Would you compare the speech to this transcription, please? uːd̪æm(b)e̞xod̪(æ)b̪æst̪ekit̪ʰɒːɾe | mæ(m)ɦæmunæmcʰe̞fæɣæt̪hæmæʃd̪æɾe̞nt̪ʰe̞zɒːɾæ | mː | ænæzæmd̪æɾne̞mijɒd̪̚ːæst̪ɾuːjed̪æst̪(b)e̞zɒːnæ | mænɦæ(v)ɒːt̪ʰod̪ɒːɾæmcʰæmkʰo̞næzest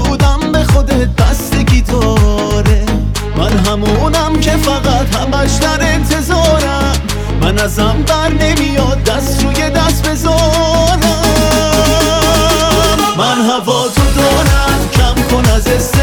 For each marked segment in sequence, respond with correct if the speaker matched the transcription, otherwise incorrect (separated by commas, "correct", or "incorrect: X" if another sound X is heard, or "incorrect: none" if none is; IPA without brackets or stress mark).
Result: correct, incorrect: e, incorrect: n, correct, correct